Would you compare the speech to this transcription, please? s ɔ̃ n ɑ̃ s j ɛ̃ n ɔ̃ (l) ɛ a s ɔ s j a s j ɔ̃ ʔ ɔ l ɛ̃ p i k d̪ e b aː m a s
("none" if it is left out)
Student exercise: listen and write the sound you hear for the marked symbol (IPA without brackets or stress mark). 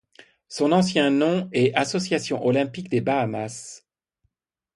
none